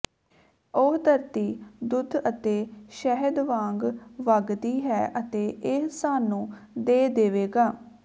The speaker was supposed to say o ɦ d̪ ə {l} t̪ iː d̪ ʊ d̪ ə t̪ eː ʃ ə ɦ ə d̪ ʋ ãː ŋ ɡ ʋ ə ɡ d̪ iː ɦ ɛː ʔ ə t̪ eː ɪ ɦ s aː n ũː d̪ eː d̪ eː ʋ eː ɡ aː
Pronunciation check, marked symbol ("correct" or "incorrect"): incorrect